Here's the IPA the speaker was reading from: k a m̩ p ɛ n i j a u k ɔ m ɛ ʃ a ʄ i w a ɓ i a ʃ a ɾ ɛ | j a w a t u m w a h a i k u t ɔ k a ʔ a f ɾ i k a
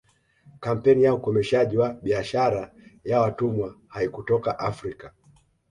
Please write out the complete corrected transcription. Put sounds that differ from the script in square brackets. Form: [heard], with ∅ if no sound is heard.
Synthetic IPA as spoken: k a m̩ p ɛ n i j a u k ɔ m ɛ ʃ a ʄ i w a ɓ i a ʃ a ɾ [a] | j a w a t u m w a h a i k u t ɔ k a ʔ a f ɾ i k a